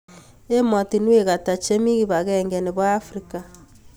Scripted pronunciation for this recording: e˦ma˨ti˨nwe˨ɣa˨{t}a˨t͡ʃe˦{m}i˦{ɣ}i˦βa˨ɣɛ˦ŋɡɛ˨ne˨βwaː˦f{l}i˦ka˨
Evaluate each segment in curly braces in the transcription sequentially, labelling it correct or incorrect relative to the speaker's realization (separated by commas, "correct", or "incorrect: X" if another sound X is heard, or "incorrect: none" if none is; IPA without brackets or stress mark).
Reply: correct, correct, correct, incorrect: ɾ